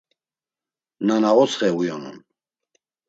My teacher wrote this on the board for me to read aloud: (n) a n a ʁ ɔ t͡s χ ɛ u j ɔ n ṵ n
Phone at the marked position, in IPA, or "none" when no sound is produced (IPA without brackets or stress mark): n